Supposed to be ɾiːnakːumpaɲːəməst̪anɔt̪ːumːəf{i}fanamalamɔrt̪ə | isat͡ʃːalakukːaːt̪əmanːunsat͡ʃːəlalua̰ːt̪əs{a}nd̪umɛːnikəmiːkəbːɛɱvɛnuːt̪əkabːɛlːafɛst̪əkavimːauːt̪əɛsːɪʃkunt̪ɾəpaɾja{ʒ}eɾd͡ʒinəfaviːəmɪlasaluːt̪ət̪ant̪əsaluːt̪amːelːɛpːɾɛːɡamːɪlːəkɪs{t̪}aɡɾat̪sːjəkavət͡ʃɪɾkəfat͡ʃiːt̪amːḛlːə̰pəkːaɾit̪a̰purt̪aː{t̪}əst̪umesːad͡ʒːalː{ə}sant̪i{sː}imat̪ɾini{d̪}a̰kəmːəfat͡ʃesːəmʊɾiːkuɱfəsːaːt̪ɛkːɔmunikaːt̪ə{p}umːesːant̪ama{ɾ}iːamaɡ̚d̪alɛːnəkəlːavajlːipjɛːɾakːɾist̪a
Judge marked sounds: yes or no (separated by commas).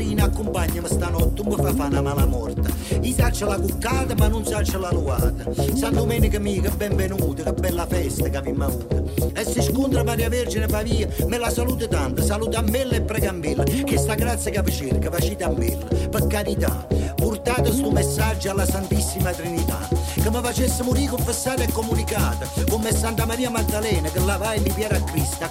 no, yes, no, yes, yes, no, yes, no, no, yes